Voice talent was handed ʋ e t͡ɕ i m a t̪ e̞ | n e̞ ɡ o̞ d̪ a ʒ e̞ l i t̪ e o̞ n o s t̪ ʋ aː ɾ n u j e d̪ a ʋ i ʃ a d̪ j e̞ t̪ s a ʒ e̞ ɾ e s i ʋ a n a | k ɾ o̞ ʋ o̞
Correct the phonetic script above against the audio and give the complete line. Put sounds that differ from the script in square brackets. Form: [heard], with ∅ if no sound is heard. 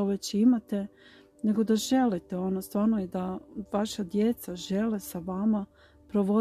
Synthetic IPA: ʋ e t͡ɕ i m a t̪ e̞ | n e̞ ɡ o̞ d̪ a ʒ e̞ l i t̪ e o̞ n o s t̪ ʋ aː ɾ n [o] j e d̪ a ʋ [a] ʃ a d̪ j e̞ t̪ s a ʒ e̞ [l] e s [a] ʋ a [m] a | [p] ɾ o̞ ʋ o̞